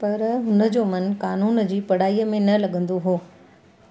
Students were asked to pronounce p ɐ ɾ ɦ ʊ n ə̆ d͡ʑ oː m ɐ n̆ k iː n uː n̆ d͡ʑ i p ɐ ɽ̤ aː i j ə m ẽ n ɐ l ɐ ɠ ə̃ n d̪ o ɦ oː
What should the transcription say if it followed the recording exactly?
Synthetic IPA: p ɐ ɾ ɦ ʊ n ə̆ d͡ʑ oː m ɐ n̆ k aː n uː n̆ d͡ʑ iː p ɐ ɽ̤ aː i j ə m ẽ n ɐ l ɐ ɠ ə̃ n d̪ o ɦ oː

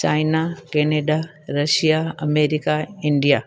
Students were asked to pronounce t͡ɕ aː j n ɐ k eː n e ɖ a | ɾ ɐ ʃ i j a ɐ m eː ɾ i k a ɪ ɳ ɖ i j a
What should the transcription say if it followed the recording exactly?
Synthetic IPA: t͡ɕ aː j n a k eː n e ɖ a | ɾ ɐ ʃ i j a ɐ m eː ɾ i k a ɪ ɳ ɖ i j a

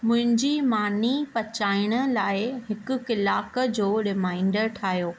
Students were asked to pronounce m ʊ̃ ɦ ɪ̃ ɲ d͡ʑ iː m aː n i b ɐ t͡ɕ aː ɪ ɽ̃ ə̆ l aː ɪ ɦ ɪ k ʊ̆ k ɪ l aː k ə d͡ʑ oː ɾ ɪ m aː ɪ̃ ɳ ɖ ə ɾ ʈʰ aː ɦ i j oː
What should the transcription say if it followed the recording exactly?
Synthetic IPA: m ʊ̃ ɦ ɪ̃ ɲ d͡ʑ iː m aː n i p ɐ t͡ɕ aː ɪ ɽ̃ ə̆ l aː ɪ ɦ ɪ k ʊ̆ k ɪ l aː k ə d͡ʑ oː ɾ ɪ m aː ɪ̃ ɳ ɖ ə ɾ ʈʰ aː ɦ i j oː

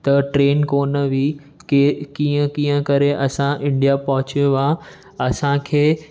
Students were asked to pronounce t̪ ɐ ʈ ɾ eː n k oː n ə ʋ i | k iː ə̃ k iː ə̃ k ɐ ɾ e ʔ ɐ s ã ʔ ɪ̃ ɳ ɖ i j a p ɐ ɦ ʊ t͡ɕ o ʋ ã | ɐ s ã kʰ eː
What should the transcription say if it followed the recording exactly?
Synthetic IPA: t̪ ɐ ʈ ɾ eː n k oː n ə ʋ i | k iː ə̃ k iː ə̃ k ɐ ɾ e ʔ ɐ s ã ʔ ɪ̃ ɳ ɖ i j a p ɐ ɦ ʊ t͡ɕ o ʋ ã | ɐ s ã kʰ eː

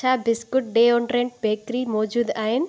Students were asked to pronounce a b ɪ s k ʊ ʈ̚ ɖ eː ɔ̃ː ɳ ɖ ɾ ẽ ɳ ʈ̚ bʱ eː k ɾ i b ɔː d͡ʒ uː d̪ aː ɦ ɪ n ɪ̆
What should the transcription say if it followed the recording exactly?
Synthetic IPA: a b ɪ s k ʊ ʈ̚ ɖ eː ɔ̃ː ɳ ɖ ɾ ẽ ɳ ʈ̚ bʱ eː k ɾ i m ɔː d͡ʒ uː d̪ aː ɦ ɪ n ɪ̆

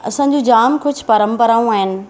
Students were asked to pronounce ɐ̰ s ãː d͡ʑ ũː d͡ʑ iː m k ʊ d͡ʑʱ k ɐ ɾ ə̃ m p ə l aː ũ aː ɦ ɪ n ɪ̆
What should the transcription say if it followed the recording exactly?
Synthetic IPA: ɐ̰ s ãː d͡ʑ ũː d͡ʑ aː m k ʊ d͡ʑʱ p ɐ ɾ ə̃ m p ə ɾ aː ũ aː ɦ ɪ n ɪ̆

